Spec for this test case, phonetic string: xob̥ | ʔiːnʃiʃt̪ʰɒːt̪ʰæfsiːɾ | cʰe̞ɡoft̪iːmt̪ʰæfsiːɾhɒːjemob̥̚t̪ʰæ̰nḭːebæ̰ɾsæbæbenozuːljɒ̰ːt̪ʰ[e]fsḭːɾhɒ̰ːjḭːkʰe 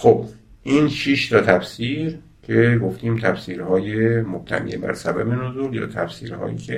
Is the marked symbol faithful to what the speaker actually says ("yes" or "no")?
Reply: no